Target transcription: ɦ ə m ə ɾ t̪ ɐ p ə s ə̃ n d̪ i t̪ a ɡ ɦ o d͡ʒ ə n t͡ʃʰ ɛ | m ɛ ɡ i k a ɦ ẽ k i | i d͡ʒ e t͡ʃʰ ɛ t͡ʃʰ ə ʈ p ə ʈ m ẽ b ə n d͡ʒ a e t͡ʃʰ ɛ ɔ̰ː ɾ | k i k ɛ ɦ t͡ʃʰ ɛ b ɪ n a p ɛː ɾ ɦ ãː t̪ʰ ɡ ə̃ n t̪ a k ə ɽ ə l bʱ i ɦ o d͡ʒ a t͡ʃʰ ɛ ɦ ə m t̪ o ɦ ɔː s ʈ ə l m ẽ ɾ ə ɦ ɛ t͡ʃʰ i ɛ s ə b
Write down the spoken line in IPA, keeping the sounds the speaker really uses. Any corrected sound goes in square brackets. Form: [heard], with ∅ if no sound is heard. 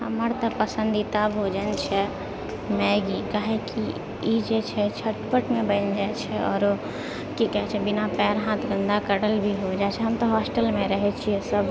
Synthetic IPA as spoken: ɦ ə m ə ɾ t̪ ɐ p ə s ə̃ n d̪ i t̪ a [b] ɦ o d͡ʒ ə n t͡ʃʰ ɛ | m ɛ ɡ i k a ɦ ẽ k i | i d͡ʒ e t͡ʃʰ ɛ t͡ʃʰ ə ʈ p ə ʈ m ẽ b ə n d͡ʒ a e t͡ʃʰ ɛ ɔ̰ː ɾ | k i k ɛ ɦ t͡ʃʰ ɛ b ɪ n a p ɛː ɾ ɦ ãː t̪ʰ ɡ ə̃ n [d̪] a k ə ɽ ə l bʱ i ɦ o d͡ʒ a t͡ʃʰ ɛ ɦ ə m t̪ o ɦ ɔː s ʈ ə l m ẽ ɾ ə ɦ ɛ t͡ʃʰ i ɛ s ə b